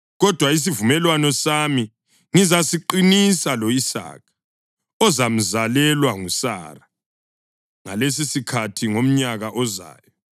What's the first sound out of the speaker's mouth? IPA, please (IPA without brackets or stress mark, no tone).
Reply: ɣ